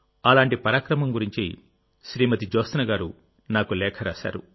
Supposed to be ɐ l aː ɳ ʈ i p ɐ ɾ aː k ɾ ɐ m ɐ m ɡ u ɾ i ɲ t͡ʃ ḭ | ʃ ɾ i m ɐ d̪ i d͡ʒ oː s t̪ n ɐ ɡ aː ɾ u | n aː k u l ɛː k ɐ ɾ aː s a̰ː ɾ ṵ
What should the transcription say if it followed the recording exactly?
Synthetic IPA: ɐ l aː ɳ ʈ i p ɐ ɾ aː k ɾ ɐ m ɐ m ɡ u ɾ i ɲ t͡ʃ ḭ | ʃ ɾ iː m ɐ t̪ i d͡ʒ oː s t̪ n ɐ ɡ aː ɾ u | n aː k u l ɛː kʰ ɐ ɾ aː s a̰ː ɾ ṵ